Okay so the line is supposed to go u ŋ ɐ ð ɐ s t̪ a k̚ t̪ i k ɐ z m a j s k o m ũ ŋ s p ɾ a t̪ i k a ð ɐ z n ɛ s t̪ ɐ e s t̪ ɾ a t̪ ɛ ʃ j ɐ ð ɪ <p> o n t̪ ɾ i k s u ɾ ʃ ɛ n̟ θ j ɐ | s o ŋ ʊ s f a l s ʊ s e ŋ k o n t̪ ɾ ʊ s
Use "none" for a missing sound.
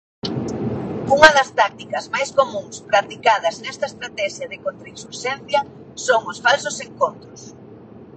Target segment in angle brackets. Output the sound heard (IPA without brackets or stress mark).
k